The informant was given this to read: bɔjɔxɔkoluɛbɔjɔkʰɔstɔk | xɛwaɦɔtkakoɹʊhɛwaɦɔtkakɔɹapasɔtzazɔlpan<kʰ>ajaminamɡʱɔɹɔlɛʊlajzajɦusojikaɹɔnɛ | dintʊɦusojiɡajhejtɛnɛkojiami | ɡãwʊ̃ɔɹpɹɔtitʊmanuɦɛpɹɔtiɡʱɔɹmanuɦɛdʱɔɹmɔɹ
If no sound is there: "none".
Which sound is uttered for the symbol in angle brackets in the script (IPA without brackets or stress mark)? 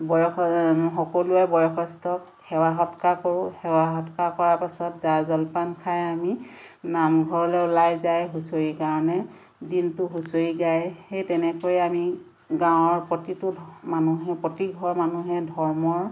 kʰ